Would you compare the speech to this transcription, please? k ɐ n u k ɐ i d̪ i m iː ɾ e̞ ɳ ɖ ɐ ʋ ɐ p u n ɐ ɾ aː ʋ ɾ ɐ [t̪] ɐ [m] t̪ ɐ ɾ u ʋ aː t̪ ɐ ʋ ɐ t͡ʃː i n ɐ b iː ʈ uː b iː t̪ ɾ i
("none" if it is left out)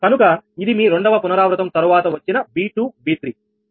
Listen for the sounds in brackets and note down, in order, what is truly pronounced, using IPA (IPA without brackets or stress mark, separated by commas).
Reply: t̪, m